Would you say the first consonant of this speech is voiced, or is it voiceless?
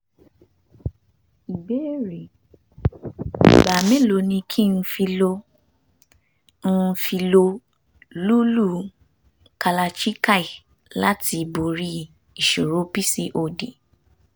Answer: voiced